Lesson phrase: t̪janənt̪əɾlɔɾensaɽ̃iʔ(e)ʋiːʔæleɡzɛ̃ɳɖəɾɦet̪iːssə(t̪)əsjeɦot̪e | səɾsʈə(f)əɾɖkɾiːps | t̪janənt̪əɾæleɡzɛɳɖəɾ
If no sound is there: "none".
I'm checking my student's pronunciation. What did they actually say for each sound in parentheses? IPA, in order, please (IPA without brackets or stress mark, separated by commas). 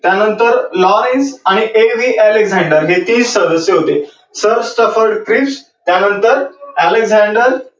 e, d̪, f